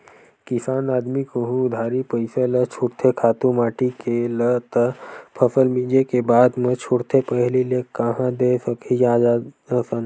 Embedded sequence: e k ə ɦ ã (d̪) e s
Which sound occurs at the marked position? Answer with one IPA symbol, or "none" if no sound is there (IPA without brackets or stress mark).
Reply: d̪